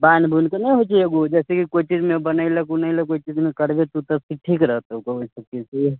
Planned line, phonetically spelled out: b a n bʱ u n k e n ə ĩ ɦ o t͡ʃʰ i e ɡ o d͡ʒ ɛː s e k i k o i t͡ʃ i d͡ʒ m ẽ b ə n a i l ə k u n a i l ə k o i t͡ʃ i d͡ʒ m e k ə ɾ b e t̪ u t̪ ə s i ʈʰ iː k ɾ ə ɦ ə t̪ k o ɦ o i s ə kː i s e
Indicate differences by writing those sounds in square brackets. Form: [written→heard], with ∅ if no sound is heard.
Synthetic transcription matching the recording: b a n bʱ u n k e n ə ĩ ɦ o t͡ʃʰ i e ɡ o d͡ʒ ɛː s e k i k o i t͡ʃ i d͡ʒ m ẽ b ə n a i l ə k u n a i l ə k o i t͡ʃ i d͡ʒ m e k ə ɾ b e t̪ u t̪ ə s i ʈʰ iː k ɾ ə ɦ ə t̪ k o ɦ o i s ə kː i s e